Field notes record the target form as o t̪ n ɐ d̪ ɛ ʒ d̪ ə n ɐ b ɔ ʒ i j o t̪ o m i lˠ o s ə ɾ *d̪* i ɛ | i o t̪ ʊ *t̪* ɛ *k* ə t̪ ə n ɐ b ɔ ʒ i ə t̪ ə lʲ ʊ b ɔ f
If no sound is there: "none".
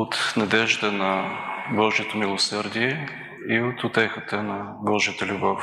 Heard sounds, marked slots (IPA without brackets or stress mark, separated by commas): d̪, t̪, x